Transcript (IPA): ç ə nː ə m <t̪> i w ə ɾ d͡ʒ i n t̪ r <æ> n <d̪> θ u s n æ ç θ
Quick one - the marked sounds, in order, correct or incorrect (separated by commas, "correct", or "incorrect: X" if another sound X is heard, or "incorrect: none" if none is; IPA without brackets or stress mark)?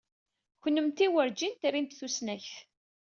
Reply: correct, incorrect: i, incorrect: t̪